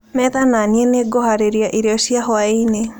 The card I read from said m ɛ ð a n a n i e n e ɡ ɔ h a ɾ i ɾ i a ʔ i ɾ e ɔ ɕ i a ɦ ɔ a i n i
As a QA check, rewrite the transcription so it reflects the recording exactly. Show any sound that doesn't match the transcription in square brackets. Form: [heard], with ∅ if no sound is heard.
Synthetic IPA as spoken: m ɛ ð a n a n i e n e ɡ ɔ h a ɾ [e] ɾ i a ʔ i ɾ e ɔ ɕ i a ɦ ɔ a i n [e]